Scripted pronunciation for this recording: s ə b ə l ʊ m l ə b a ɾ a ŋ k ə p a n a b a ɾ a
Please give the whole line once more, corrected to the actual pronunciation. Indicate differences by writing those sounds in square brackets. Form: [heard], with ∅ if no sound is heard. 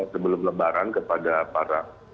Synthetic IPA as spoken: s ə b ə l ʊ m l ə b a ɾ a [n] k ə p a [d] a [p] a ɾ a